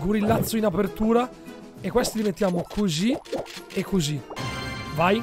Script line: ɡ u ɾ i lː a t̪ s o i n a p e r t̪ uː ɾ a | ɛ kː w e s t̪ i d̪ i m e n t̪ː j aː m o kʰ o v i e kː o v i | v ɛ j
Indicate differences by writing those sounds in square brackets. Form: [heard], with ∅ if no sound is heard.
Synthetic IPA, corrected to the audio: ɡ u ɾ i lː a t̪ [sː] o i n a p e r t̪ uː ɾ a | [e] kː w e s t̪ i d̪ i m e n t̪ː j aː m o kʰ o [z] i e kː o [z] i | v [a] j